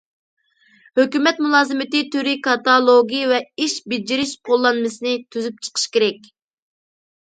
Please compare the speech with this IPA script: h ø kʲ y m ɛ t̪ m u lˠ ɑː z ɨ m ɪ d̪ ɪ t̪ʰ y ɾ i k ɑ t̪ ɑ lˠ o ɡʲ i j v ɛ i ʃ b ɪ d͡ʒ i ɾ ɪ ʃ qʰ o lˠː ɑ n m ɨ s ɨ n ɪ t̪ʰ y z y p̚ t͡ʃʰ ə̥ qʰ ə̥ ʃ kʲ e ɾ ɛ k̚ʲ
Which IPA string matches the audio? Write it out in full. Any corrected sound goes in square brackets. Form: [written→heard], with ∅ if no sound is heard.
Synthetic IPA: h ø kʲ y m ɛ t̪ m u lˠ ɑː z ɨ m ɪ [d̪→t̪] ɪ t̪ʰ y ɾ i k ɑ t̪ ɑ lˠ o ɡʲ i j v ɛ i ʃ b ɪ d͡ʒ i ɾ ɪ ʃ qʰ o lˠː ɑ n m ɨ s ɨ n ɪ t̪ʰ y z y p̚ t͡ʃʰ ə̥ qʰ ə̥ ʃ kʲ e ɾ ɛ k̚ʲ

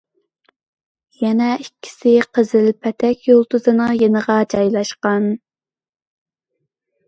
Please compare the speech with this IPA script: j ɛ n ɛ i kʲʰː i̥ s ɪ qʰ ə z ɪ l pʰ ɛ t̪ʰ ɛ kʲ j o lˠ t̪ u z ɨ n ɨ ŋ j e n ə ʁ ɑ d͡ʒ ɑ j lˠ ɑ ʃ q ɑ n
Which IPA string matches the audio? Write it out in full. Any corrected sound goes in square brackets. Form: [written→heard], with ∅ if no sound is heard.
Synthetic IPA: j ɛ n ɛ i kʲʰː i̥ s ɪ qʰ ə z ɪ l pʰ ɛ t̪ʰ ɛ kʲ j o lˠ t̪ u z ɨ n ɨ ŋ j e n ə ʁ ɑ d͡ʒ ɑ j lˠ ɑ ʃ q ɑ n

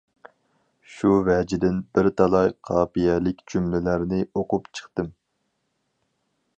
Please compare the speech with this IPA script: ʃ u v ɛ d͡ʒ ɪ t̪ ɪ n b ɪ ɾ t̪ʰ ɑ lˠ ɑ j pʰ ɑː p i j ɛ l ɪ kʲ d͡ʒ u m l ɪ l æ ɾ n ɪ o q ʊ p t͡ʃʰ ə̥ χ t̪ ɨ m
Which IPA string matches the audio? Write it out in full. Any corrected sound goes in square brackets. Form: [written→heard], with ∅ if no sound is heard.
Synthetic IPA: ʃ u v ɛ d͡ʒ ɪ [t̪→d̪] ɪ n b ɪ ɾ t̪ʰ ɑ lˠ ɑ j [pʰ→qʰ] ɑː p i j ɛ l ɪ kʲ d͡ʒ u m l ɪ l æ ɾ n ɪ o q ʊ p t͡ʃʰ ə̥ χ t̪ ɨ m

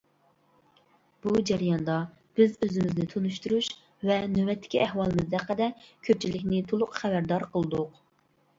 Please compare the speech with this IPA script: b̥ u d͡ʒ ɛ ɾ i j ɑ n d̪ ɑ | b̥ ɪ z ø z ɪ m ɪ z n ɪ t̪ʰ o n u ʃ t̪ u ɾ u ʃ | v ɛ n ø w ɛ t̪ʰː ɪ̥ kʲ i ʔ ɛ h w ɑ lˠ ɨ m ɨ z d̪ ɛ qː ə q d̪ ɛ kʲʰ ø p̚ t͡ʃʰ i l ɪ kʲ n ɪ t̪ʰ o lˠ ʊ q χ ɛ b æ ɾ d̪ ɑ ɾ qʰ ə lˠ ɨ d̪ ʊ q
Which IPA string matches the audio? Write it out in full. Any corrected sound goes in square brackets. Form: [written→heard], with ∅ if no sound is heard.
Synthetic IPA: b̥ u d͡ʒ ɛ ɾ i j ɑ n d̪ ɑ | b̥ ɪ z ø z ɪ m ɪ z n ɪ t̪ʰ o n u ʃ t̪ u ɾ u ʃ | v ɛ n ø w ɛ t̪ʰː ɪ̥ kʲ i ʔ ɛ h w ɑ lˠ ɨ m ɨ z d̪ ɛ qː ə [q→∅] d̪ ɛ kʲʰ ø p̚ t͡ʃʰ i l ɪ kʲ n ɪ t̪ʰ o lˠ ʊ q χ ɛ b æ ɾ d̪ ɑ ɾ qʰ ə lˠ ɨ d̪ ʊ q

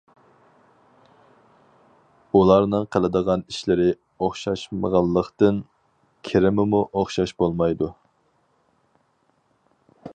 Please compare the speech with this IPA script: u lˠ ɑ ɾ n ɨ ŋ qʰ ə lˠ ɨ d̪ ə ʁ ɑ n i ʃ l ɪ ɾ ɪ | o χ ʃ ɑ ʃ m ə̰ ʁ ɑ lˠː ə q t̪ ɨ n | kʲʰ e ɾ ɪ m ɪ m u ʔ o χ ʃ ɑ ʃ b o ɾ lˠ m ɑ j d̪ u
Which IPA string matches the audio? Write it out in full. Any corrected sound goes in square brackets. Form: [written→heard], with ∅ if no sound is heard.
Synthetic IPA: u lˠ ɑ ɾ n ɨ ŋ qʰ ə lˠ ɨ d̪ ə ʁ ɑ n i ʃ l ɪ ɾ ɪ | o χ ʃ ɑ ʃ m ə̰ ʁ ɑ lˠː ə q t̪ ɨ n | kʲʰ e ɾ ɪ m ɪ m u ʔ o χ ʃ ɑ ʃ b o [ɾ→∅] lˠ m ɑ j d̪ u

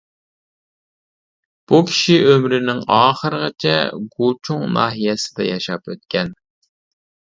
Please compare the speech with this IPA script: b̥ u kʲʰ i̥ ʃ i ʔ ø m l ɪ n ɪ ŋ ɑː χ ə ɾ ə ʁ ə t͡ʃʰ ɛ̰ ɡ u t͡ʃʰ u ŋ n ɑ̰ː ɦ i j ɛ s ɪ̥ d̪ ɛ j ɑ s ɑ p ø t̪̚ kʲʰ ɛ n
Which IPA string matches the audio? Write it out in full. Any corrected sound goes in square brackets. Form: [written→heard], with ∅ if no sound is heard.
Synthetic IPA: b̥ u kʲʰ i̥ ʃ i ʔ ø m [l→ɾ] ɪ n ɪ ŋ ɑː χ ə ɾ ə ʁ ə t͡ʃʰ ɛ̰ ɡ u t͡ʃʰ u ŋ n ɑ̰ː ɦ i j ɛ s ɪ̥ d̪ ɛ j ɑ [s→ʃ] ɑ p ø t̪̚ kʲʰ ɛ n

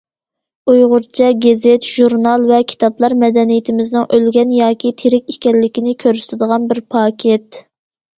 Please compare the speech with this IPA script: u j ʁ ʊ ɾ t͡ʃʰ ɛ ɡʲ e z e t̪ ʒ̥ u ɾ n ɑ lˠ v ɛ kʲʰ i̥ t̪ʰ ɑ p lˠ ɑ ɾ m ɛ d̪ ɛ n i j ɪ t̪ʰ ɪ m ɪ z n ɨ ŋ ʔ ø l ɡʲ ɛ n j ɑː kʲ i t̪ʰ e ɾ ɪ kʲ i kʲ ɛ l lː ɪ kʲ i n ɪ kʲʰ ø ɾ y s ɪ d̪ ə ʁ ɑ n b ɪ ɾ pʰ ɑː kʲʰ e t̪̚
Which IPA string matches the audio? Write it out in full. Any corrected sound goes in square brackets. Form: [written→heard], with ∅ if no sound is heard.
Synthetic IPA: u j ʁ ʊ ɾ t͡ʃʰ ɛ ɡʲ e z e t̪ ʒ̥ u ɾ n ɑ lˠ v ɛ kʲʰ i̥ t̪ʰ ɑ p lˠ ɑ ɾ m ɛ d̪ ɛ n i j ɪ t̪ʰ ɪ m ɪ z n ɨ ŋ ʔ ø l ɡʲ ɛ n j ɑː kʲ i t̪ʰ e ɾ ɪ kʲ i kʲ ɛ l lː ɪ kʲ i n ɪ kʲʰ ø ɾ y s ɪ d̪ ə ʁ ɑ n b ɪ ɾ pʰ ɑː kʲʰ e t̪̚

